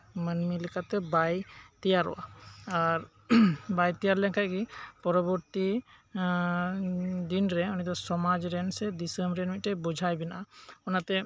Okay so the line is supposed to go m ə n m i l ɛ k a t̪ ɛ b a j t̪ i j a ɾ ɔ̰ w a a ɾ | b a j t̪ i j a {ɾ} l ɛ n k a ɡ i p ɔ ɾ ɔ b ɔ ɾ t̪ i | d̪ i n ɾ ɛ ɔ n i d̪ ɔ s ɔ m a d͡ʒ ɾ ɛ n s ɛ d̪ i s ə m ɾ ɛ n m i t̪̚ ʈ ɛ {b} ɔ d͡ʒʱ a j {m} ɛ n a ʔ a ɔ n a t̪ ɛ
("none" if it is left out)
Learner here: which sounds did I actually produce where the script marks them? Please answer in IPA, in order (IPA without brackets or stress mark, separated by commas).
ɾ, b, b